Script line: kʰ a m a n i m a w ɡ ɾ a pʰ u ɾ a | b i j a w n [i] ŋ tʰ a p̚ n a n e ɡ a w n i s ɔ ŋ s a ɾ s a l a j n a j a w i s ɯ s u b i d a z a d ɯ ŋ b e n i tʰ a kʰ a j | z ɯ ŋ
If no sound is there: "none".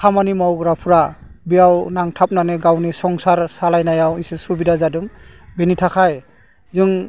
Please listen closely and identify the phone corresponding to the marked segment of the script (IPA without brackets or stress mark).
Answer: a